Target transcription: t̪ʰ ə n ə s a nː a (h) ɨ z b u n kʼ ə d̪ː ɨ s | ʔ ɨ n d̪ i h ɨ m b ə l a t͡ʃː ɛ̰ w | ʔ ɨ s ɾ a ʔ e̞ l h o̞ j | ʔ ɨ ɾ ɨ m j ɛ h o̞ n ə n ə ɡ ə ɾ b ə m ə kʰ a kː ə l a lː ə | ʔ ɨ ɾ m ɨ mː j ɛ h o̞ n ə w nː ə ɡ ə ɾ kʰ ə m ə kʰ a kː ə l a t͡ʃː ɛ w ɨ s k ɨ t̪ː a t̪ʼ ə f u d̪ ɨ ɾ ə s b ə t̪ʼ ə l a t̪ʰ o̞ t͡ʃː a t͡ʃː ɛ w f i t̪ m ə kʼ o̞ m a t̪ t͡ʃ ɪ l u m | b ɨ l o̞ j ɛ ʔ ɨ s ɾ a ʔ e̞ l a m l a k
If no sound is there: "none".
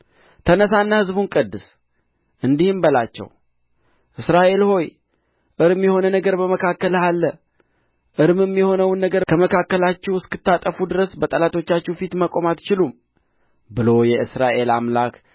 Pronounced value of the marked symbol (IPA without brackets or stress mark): h